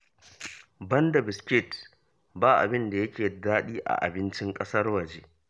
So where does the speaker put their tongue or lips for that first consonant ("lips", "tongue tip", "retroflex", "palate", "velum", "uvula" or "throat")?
lips